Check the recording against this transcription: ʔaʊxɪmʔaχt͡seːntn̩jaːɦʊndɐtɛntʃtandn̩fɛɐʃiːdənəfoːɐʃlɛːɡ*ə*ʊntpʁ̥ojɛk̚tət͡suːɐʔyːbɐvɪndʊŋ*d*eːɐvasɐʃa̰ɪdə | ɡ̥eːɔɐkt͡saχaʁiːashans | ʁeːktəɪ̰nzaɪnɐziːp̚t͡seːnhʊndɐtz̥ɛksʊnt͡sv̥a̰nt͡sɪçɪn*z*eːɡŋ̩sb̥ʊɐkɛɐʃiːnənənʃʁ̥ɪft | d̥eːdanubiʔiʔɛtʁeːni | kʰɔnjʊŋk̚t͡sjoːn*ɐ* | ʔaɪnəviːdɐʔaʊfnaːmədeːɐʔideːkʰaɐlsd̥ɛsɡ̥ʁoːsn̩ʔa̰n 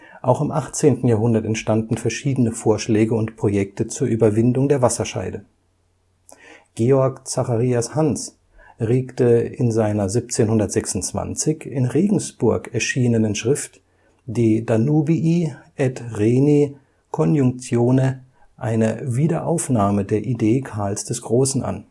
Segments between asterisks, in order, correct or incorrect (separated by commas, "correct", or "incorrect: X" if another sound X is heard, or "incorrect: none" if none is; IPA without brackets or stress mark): correct, correct, incorrect: ʁ, incorrect: ə